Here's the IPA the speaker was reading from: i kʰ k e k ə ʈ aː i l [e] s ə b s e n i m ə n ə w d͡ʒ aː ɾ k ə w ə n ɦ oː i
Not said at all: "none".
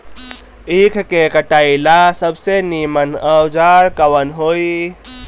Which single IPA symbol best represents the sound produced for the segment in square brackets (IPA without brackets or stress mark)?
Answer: a